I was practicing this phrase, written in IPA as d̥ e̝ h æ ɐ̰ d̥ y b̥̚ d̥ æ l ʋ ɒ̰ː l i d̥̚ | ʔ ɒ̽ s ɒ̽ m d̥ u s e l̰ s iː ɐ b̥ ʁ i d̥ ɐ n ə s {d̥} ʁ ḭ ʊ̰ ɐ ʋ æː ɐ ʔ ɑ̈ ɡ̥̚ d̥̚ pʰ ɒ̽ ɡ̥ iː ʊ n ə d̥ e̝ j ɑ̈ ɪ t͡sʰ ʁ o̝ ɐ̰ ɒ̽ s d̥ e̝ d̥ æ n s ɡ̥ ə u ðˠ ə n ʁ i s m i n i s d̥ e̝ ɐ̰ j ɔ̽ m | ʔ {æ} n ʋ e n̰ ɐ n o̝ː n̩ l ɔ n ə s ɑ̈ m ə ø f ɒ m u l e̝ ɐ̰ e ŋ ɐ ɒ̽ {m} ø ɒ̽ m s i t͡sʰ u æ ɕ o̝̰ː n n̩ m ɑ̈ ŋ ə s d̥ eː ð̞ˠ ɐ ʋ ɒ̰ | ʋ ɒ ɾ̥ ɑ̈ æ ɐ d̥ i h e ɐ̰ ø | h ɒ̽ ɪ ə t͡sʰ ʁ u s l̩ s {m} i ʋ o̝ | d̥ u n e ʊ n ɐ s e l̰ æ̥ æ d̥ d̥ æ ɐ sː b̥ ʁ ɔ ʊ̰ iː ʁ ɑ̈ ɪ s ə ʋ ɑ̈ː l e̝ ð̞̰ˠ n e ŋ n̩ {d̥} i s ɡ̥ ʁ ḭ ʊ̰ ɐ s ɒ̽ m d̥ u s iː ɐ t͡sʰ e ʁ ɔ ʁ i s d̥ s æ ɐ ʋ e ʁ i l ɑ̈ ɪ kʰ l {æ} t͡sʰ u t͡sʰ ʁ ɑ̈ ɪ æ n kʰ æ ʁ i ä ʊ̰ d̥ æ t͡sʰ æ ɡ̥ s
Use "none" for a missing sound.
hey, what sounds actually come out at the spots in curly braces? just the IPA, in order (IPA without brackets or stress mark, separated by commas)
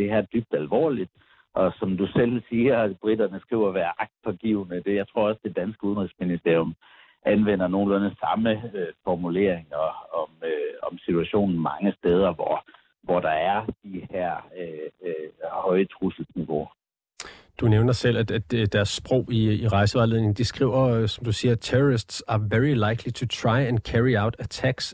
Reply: ɡ̥, æ, m, n, d̥, i